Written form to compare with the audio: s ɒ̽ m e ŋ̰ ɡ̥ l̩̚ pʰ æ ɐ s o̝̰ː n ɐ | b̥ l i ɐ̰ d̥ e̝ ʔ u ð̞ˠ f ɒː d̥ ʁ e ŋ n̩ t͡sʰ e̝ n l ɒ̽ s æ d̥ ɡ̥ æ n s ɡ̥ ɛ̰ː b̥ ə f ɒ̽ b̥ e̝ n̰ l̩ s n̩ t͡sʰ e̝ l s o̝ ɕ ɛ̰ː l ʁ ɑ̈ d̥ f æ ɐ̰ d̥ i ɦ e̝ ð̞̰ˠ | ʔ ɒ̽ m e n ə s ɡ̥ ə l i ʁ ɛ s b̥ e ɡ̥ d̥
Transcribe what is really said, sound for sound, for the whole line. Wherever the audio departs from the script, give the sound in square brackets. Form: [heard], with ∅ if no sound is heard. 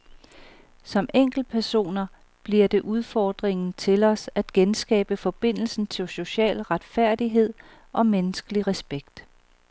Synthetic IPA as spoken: s ɒ̽ m e ŋ̰ ɡ̥ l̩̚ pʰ æ ɐ s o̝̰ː n ɐ | b̥ l i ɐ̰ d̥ e̝ ʔ u ð̞ˠ f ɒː d̥ ʁ e ŋ n̩ t͡sʰ e̝ [∅] l ɒ̽ s æ d̥ ɡ̥ [e] n s ɡ̥ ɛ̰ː b̥ ə f ɒ̽ b̥ e̝ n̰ l̩ s n̩ t͡sʰ e̝ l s o̝ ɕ ɛ̰ː l ʁ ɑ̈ d̥ f æ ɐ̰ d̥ i ɦ e̝ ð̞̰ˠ | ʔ ɒ̽ m e n ə s ɡ̥ ə l i ʁ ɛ s b̥ e ɡ̥ d̥